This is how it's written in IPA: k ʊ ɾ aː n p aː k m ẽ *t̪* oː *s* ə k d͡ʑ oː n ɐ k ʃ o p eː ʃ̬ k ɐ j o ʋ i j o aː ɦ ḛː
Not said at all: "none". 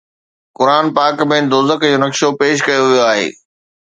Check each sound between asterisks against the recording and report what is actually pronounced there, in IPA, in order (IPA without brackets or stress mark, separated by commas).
d̪, z